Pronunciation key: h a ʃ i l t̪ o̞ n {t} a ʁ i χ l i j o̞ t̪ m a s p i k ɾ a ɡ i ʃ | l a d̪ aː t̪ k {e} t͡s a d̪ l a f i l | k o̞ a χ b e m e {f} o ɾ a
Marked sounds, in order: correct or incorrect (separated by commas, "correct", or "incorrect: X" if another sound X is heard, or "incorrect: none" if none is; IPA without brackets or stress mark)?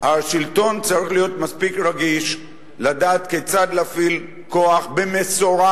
incorrect: t͡s, correct, incorrect: s